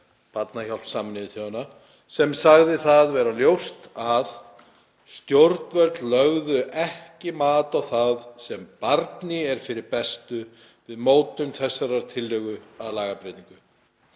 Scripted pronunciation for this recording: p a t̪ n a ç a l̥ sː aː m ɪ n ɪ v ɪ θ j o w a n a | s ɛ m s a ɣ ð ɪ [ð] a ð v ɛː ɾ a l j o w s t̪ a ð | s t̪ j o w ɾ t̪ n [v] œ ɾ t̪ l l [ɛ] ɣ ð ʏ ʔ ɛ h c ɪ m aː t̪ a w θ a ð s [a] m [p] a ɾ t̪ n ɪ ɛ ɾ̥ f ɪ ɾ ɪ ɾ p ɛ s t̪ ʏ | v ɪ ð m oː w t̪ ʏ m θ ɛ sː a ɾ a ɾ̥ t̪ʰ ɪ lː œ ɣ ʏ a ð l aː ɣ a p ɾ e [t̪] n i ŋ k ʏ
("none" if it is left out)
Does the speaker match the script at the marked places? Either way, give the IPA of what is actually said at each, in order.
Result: θ, v, œ, ɛ, p, t̪

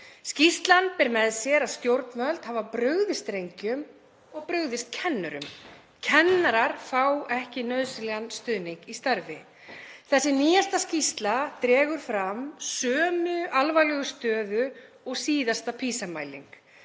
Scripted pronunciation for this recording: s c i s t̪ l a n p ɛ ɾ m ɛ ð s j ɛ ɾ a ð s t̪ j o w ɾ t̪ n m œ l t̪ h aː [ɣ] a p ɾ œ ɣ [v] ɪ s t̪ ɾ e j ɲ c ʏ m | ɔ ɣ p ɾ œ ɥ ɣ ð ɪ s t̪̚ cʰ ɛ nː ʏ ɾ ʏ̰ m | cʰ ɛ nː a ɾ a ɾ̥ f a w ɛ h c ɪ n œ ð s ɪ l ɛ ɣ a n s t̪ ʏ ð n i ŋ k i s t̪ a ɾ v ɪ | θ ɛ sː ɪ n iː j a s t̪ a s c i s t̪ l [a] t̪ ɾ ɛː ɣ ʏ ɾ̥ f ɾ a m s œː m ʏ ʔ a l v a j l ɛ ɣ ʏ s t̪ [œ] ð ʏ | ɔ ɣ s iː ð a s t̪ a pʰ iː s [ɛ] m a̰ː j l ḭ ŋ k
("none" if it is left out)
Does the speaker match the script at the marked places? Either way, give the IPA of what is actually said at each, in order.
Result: v, ð, a, œː, a

